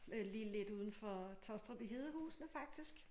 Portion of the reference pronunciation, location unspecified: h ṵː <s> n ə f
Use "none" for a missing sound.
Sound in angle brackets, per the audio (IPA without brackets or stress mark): s